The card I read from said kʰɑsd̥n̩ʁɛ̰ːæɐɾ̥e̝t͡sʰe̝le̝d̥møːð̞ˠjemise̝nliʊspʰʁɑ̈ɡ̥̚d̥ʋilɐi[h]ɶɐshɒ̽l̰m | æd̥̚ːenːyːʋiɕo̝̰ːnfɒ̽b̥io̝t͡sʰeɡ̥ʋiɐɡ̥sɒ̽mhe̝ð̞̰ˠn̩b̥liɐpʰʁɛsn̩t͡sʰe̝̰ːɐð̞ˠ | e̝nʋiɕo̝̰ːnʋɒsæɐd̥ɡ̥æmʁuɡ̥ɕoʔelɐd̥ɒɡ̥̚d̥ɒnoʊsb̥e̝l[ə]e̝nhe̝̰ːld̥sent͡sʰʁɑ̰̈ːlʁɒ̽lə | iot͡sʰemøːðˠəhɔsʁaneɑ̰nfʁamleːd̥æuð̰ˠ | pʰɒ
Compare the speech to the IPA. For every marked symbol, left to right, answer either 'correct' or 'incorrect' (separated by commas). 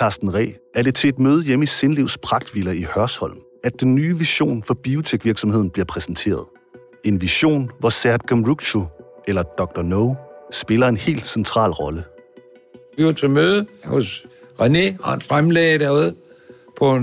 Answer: correct, incorrect